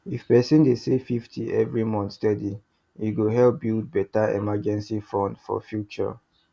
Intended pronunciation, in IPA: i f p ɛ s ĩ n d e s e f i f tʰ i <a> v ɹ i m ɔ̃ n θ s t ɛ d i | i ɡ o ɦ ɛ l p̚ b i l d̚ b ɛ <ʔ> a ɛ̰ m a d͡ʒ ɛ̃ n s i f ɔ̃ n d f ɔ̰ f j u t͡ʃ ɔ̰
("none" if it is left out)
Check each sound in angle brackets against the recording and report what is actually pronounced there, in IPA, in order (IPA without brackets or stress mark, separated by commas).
ɛ, t